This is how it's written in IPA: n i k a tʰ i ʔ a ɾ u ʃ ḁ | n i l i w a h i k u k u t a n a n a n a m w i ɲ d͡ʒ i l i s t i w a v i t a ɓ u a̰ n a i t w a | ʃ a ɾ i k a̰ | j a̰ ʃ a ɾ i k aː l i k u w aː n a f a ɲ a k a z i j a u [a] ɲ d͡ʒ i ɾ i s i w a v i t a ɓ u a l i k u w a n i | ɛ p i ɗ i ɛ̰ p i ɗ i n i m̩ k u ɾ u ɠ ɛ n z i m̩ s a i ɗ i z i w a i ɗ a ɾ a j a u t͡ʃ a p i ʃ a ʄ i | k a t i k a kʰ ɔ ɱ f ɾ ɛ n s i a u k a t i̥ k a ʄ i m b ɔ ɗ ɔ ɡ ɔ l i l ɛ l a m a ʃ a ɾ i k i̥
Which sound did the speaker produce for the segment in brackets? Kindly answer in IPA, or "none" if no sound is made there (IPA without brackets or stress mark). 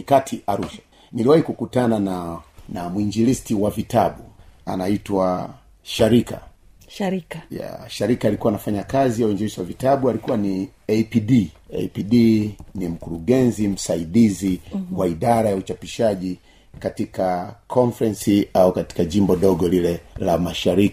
i